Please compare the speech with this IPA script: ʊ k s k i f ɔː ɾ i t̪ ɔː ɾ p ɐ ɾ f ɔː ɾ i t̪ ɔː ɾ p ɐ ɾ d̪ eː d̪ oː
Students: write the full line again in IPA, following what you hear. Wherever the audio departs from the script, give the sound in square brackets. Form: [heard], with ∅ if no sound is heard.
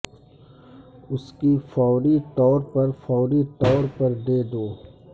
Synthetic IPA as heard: ʊ [∅] s k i f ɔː ɾ i t̪ ɔː ɾ p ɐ ɾ f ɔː ɾ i t̪ ɔː ɾ p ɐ ɾ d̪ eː d̪ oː